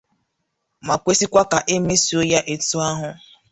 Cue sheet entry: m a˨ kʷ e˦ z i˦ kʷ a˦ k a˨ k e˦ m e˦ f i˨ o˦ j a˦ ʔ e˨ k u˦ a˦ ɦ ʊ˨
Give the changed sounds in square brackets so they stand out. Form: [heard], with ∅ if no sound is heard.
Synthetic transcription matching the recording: m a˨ kʷ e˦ [s] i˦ kʷ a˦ k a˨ [ʔ] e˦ m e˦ [s] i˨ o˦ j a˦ ʔ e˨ [t] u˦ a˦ ɦ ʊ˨